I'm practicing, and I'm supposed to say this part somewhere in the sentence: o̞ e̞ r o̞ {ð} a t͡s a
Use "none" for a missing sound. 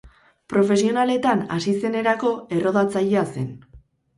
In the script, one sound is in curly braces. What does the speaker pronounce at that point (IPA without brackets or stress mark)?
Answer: ð